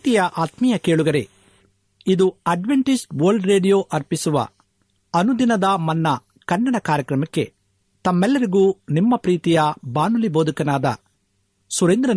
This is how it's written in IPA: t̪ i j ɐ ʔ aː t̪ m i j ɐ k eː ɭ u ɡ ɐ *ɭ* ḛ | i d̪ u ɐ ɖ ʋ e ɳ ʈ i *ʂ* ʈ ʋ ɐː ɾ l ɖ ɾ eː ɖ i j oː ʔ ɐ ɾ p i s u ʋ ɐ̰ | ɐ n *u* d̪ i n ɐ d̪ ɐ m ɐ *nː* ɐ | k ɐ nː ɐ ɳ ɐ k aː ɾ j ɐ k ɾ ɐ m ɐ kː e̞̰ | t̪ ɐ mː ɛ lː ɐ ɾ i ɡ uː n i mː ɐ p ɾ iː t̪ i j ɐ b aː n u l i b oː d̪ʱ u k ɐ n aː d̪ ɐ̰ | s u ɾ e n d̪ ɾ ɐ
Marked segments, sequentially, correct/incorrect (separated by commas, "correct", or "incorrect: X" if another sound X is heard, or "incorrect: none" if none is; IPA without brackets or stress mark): incorrect: ɾ, incorrect: s, correct, correct